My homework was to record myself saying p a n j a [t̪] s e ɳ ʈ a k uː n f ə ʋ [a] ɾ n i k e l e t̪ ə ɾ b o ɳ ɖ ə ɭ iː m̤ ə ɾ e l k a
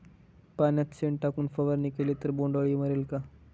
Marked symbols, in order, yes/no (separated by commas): yes, no